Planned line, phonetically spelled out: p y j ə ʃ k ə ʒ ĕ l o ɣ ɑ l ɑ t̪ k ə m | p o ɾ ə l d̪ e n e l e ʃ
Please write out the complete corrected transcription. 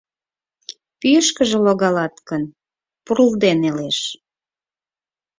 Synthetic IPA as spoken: p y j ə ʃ k ə ʒ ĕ l o ɣ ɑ l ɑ t̪ k ə n | p u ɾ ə l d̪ e n e l e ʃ